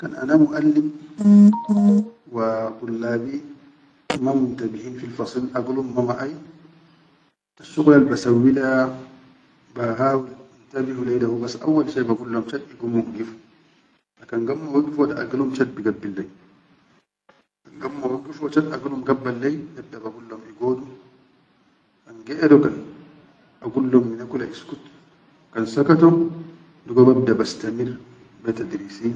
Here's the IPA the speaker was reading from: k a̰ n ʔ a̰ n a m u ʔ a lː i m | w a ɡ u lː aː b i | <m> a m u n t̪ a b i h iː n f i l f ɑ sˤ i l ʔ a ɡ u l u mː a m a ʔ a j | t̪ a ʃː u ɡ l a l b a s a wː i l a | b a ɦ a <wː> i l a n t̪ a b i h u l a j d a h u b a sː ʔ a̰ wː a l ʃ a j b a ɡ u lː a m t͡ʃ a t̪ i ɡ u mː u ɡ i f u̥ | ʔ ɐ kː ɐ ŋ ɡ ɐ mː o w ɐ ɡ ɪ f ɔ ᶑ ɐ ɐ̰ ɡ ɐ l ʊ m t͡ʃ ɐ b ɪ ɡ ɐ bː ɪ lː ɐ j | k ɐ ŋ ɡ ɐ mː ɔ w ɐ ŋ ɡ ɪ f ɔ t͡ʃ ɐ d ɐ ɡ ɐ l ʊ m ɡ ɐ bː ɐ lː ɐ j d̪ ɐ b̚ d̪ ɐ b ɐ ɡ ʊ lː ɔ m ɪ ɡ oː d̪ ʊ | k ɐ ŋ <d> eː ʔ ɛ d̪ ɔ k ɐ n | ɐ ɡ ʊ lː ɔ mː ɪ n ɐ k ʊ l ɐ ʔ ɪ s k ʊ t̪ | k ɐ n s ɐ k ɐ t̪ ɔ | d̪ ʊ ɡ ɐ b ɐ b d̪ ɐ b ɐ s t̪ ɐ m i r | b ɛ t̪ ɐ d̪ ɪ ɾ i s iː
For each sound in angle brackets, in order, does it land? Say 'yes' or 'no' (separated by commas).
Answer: yes, no, no